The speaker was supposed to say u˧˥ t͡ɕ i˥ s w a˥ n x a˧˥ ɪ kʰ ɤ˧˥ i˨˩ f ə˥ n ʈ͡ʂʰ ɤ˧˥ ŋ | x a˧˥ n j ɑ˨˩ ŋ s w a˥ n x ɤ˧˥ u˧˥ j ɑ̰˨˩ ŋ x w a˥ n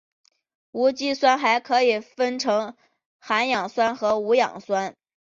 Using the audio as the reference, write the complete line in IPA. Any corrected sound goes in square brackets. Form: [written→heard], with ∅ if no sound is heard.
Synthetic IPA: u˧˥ t͡ɕ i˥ s w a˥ n x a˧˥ ɪ kʰ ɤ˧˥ i˨˩ f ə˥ n ʈ͡ʂʰ ɤ˧˥ ŋ | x a˧˥ n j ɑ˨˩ ŋ s w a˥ n x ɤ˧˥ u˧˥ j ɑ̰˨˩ ŋ [x→s] w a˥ n

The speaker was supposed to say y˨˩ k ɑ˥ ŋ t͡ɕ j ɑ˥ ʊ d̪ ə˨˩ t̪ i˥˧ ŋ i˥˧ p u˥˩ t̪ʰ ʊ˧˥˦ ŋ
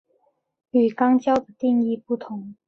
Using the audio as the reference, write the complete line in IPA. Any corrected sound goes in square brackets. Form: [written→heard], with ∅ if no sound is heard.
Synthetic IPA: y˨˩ k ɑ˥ ŋ t͡ɕ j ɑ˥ ʊ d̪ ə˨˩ t̪ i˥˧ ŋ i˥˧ p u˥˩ t̪ʰ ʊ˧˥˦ ŋ

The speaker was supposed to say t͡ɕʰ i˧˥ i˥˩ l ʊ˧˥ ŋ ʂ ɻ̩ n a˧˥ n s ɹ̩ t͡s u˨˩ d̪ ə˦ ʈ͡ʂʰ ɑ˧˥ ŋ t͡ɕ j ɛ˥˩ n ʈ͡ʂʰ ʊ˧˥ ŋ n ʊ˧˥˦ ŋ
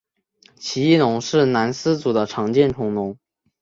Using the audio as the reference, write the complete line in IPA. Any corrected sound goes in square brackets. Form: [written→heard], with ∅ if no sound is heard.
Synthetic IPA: t͡ɕʰ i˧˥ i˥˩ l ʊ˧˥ ŋ ʂ ɻ̩ n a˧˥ n s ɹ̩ t͡s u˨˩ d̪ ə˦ ʈ͡ʂʰ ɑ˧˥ ŋ t͡ɕ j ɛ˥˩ n ʈ͡ʂʰ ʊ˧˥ ŋ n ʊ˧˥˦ ŋ

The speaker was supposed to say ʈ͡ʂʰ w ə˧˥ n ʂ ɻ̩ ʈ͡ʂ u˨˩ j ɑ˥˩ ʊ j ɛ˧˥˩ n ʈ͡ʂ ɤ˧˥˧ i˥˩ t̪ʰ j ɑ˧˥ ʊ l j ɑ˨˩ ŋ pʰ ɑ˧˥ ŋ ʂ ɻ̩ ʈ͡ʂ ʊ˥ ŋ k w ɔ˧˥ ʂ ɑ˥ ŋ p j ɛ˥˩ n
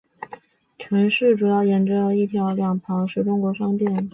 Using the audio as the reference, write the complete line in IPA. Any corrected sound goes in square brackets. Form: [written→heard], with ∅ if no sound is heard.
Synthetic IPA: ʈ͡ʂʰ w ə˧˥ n ʂ ɻ̩ ʈ͡ʂ u˨˩ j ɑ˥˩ ʊ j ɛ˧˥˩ n ʈ͡ʂ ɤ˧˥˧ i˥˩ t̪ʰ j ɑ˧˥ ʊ l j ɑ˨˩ ŋ pʰ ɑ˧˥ ŋ ʂ ɻ̩ ʈ͡ʂ ʊ˥ ŋ k w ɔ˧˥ ʂ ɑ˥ ŋ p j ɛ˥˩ n

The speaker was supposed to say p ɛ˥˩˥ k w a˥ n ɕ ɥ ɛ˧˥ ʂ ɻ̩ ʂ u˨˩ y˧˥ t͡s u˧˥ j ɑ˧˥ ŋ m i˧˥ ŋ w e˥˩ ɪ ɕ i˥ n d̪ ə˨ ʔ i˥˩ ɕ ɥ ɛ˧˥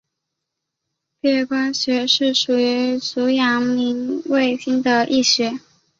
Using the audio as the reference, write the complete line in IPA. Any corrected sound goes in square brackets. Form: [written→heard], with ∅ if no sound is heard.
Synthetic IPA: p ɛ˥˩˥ k w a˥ n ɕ ɥ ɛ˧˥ ʂ ɻ̩ ʂ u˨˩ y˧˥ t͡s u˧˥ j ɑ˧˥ ŋ m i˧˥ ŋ w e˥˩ ɪ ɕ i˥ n d̪ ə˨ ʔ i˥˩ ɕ ɥ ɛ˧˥

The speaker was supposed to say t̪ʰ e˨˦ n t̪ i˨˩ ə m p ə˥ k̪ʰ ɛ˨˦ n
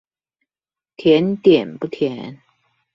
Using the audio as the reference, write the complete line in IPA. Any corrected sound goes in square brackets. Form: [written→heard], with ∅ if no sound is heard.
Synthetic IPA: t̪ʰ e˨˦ n t̪ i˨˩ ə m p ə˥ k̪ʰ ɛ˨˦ n

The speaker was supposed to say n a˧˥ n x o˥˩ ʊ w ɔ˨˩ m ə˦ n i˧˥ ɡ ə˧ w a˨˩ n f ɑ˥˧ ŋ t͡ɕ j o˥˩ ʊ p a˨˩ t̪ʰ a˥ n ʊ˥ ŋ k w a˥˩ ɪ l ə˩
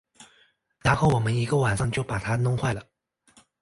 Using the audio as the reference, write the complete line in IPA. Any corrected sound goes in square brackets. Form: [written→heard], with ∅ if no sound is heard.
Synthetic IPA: n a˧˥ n x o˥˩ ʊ w ɔ˨˩ m ə˦ n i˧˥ ɡ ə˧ w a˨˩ n [f→ʂ] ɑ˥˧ ŋ t͡ɕ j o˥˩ ʊ p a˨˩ t̪ʰ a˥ n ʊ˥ ŋ [k→x] w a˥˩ ɪ l ə˩

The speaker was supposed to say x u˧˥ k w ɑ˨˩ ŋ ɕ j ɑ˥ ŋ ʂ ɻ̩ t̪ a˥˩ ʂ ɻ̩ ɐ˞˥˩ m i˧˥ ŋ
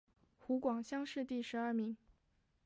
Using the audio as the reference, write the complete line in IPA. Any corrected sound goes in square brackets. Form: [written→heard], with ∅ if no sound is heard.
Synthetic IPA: x u˧˥ k w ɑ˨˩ ŋ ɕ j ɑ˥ ŋ ʂ ɻ̩ t̪ [a˥˩→i˥˩] ʂ ɻ̩ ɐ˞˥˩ m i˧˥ ŋ

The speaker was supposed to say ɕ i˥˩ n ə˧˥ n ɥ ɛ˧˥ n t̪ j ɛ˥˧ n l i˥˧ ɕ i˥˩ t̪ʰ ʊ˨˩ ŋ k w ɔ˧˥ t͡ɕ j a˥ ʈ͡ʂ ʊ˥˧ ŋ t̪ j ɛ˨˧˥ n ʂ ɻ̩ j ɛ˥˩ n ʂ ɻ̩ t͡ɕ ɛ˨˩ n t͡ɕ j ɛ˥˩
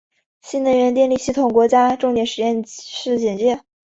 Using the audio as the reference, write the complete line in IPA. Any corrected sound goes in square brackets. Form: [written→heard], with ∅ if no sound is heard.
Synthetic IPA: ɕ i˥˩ n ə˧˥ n ɥ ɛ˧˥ n t̪ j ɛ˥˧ n l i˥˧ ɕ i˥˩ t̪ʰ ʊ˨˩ ŋ k w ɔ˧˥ t͡ɕ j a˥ ʈ͡ʂ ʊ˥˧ ŋ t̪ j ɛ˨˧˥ n ʂ ɻ̩ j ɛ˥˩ n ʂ ɻ̩ t͡ɕ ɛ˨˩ n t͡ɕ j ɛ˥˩

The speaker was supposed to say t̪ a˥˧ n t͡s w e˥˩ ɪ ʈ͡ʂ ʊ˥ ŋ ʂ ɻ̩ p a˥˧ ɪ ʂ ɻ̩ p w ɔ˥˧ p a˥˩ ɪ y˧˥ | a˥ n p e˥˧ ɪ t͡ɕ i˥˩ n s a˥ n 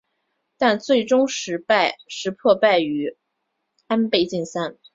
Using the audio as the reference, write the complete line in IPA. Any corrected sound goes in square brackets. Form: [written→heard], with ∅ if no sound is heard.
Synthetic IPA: t̪ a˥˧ n t͡s w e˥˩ ɪ ʈ͡ʂ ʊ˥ ŋ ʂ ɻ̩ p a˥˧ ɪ ʂ ɻ̩ [p→pʰ] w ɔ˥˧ p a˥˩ ɪ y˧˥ | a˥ n p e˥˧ ɪ t͡ɕ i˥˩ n s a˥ n

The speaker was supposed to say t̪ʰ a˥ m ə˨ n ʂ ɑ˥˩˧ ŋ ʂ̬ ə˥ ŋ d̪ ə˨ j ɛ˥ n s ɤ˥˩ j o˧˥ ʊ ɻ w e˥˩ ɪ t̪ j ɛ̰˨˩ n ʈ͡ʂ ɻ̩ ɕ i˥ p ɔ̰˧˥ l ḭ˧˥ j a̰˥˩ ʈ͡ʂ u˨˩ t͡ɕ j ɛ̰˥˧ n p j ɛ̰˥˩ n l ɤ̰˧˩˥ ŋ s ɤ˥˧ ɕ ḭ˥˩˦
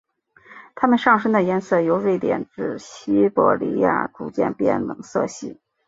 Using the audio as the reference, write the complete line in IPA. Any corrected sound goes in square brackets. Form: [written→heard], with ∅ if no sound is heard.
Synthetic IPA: t̪ʰ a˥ m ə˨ n ʂ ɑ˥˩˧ ŋ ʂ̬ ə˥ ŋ d̪ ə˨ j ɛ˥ n s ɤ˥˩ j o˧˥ ʊ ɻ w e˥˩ ɪ t̪ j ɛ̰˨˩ n ʈ͡ʂ ɻ̩ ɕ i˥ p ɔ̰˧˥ l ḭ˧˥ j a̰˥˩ ʈ͡ʂ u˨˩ t͡ɕ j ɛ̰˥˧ n p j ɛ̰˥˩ n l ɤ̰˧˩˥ ŋ s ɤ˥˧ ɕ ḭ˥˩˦

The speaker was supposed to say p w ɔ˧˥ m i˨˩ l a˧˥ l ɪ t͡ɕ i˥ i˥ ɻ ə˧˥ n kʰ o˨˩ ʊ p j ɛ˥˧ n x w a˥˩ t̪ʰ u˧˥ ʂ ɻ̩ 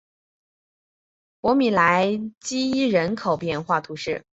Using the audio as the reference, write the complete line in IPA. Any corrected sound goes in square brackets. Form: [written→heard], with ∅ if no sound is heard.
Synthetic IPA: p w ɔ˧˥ m i˨˩ l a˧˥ [l→∅] ɪ t͡ɕ i˥ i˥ ɻ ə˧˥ n kʰ o˨˩ ʊ p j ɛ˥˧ n x w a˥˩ t̪ʰ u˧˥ ʂ ɻ̩

